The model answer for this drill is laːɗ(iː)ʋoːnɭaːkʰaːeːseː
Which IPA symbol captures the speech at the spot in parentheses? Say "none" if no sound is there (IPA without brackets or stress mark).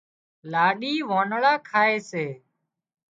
iː